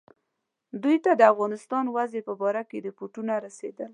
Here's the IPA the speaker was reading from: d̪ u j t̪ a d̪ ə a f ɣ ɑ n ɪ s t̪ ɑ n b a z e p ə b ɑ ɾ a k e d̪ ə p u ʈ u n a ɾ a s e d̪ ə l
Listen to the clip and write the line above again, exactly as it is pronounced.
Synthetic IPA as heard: d̪ u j t̪ a d̪ ə a f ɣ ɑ n ɪ s t̪ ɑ n w a z e p ə b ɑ ɾ a k e d̪ ə p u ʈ u n a ɾ a s e d̪ ə l

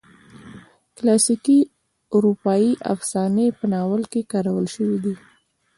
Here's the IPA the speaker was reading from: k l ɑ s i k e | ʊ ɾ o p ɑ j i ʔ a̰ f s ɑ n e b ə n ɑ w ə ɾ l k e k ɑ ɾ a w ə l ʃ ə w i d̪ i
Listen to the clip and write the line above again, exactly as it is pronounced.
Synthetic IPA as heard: k l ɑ s i k i | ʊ ɾ u p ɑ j i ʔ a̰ f s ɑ n e p ə n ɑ w ə l k e k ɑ ɾ a w ə l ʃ ə w i d̪ i

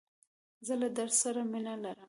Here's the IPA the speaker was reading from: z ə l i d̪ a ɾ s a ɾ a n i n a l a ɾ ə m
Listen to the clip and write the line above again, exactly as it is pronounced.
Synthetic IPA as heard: z ə l a d̪ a ɾ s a ɾ a m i n a l a ɾ ə m

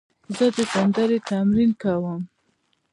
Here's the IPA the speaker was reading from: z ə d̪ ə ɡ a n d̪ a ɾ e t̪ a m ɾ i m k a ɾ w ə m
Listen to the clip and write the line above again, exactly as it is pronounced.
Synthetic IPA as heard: z ə d̪ ə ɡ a n d̪ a ɾ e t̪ a m ɾ i n k a w ə m

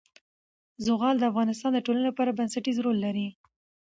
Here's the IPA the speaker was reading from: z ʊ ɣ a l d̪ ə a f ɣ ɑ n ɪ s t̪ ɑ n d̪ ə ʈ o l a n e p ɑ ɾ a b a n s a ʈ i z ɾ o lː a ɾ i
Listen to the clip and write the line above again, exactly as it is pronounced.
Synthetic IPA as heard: z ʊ ɣ ɑ l d̪ ə a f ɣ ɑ n ɪ s t̪ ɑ n d̪ ə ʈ o l a n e p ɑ ɾ a b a n s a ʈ i z ɾ o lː a ɾ i

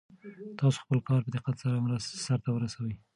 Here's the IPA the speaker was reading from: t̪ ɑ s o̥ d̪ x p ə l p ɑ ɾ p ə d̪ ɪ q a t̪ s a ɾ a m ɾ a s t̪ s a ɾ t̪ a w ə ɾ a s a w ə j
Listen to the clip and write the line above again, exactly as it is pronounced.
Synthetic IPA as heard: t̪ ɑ s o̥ x p ə l k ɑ ɾ p ə d̪ ɪ q a t̪ s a ɾ a m ɾ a s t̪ s a ɾ t̪ a w ə ɾ a s a w ə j

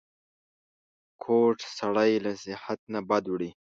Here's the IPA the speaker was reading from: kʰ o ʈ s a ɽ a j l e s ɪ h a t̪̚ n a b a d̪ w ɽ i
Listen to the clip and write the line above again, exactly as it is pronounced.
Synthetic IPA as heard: kʰ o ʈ s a ɽ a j l a s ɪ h a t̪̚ n a b a d̪ w ɽ i

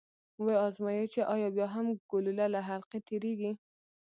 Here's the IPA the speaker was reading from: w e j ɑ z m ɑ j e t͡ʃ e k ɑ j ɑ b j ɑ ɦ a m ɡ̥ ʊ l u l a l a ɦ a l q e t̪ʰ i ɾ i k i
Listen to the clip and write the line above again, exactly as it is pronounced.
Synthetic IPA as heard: w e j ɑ z m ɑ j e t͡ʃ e ʔ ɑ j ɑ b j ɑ ɦ a m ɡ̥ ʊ l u l a l a ɦ a l q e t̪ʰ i ɾ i ɡ i

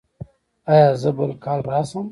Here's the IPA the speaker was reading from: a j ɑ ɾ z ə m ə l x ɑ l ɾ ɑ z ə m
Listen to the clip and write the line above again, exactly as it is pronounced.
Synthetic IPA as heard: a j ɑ z ə b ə l k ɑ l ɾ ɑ s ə m

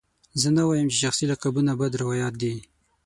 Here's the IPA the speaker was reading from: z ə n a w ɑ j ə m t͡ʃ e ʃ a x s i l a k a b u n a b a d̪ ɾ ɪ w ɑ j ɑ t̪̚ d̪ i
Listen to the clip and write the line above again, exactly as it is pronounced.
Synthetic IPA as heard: z ə n a w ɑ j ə m t͡ʃ e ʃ a x s i l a k a b u n a b a d̪ ɾ ɪ w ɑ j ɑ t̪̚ d̪ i

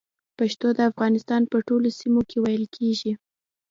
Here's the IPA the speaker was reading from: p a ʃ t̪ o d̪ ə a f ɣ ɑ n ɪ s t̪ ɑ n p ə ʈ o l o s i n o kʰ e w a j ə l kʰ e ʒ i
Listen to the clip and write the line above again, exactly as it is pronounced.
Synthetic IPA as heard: p a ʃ t̪ o d̪ ə a f ɣ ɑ n ɪ s t̪ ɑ n p ə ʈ o l o s i m o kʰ e w a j ə l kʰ e ʒ i

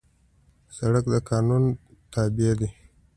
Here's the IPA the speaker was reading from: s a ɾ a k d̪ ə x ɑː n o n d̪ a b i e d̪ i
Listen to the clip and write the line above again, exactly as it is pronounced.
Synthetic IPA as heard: s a ɽ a k d̪ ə k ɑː n u n t̪ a b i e d̪ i

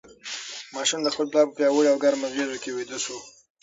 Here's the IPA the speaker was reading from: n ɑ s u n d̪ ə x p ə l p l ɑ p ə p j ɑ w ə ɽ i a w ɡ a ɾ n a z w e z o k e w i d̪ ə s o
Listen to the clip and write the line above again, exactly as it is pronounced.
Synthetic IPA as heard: m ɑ ʃ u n d̪ ə x p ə l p l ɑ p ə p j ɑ w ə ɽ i a w ɡ a ɾ m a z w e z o k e w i d̪ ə s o

